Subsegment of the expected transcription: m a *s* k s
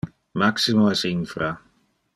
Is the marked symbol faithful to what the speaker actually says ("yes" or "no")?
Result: no